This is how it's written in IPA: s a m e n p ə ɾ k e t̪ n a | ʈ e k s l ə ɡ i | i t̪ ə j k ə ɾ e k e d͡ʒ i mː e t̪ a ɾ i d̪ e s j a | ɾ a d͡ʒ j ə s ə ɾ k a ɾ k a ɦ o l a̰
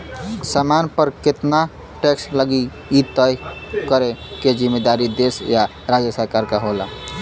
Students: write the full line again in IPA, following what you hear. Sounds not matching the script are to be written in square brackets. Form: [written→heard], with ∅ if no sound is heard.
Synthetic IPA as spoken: s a m [e→a] n p ə ɾ k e t̪ n a | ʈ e k s l ə ɡ i | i t̪ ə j k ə ɾ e k e d͡ʒ i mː e [t̪→d̪] a ɾ i d̪ e s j a | ɾ a d͡ʒ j ə s ə ɾ k a ɾ k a ɦ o l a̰